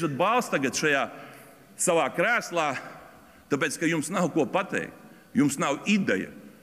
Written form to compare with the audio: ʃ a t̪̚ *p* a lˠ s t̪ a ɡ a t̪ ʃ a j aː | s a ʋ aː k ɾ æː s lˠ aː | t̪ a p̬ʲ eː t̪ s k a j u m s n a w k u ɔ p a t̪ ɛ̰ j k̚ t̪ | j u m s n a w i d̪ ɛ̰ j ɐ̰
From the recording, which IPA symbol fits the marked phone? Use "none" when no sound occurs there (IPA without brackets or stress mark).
b